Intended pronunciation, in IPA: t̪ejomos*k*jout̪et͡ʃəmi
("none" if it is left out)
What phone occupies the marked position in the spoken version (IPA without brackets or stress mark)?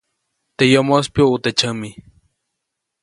p